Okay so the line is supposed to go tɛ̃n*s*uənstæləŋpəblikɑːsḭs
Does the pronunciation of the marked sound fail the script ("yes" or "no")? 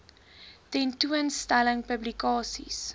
yes